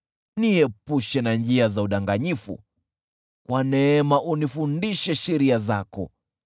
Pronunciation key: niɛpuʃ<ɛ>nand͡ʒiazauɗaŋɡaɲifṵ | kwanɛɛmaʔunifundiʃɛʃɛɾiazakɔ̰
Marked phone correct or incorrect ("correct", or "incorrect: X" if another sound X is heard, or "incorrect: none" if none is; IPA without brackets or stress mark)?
correct